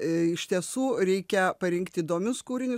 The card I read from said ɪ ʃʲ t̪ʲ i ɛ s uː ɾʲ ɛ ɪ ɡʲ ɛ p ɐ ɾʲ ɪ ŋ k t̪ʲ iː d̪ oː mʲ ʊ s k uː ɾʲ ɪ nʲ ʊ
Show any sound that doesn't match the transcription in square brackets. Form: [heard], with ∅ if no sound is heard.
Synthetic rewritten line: ɪ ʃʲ t̪ʲ i ɛ s uː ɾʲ ɛ ɪ [kʲ] ɛ p ɐ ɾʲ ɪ ŋ k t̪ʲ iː d̪ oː mʲ ʊ s k uː ɾʲ ɪ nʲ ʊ